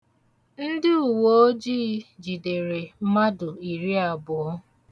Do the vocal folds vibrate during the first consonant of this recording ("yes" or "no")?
yes